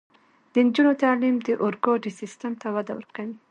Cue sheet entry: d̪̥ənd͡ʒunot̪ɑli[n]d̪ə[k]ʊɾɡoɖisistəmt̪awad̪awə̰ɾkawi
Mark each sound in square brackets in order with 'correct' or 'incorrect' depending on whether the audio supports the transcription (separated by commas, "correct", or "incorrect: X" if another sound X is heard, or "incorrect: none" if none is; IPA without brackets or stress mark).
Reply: incorrect: m, incorrect: ʔ